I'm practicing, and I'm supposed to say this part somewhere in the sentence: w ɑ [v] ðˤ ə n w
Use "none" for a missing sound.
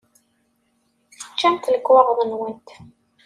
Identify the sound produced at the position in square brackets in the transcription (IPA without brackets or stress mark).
ʁ